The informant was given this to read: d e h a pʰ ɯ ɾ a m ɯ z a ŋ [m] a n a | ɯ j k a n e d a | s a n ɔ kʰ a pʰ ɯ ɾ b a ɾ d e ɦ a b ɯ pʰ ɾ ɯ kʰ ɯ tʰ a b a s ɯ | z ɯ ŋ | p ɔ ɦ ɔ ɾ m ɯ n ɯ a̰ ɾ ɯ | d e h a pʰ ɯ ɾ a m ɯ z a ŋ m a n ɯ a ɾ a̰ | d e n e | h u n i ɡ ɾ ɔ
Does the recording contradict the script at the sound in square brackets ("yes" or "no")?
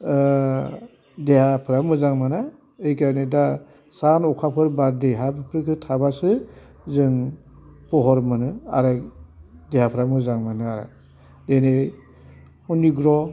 no